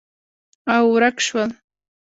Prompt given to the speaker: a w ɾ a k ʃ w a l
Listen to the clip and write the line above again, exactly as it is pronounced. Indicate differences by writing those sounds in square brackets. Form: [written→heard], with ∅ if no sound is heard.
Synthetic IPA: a w ɾ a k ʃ w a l